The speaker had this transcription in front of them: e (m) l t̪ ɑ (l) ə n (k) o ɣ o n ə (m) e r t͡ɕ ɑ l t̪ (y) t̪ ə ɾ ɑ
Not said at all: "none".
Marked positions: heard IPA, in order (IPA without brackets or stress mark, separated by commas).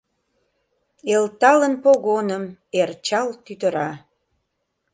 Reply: none, l, p, m, y